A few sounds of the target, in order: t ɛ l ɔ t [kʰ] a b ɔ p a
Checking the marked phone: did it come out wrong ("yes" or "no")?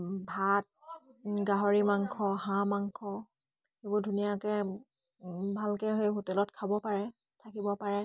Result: no